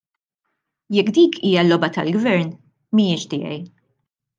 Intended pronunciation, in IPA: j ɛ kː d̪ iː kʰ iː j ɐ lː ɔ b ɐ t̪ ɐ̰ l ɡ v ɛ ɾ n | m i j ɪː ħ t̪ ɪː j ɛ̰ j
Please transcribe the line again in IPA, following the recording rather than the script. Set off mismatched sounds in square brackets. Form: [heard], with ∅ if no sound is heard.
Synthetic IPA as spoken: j ɛ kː d̪ iː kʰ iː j ɐ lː ɔ b ɐ t̪ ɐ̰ l ɡ v ɛ ɾ n | m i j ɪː [ʃ] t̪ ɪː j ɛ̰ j